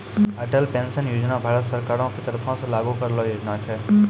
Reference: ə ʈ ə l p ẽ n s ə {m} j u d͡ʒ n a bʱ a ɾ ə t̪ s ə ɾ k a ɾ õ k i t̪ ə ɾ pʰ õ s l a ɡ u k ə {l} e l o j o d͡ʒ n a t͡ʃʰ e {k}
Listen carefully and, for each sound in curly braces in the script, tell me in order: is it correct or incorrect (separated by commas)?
incorrect, incorrect, incorrect